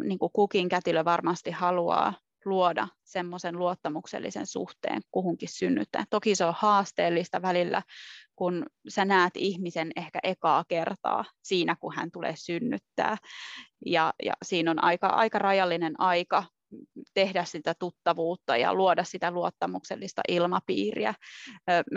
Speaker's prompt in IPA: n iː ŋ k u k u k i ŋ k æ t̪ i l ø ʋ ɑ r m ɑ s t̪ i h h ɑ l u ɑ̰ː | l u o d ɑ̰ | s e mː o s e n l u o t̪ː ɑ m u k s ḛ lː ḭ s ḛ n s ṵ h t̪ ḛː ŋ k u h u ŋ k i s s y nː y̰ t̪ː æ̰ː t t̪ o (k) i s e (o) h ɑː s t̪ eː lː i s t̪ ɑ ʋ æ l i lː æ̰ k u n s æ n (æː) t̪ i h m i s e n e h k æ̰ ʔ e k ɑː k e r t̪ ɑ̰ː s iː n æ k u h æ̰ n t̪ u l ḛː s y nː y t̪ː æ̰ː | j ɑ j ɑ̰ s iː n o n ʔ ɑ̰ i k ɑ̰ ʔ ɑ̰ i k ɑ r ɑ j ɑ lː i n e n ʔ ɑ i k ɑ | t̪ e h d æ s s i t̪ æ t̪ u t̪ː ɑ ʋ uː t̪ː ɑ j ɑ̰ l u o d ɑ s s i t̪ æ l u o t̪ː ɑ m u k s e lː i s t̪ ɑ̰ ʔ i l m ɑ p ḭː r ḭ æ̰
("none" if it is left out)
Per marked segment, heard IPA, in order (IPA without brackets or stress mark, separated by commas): k, o, æː